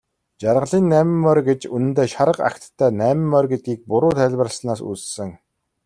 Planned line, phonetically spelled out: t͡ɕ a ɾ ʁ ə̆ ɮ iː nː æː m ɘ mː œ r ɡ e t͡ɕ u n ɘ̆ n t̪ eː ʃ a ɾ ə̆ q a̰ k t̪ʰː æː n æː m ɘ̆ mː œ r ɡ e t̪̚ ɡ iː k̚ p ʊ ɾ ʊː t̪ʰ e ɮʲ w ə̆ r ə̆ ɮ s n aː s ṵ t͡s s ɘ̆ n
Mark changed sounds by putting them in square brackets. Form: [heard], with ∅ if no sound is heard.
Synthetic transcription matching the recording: t͡ɕ a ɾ ʁ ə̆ ɮ iː nː æː m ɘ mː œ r ɡ e t͡ɕ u n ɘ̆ n t̪ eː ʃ a ɾ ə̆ q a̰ k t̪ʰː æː n æː m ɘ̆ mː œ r ɡ e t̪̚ ɡ iː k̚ p ʊ ɾ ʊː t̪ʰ [æ] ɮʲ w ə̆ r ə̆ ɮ s n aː s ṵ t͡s s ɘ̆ [ŋ]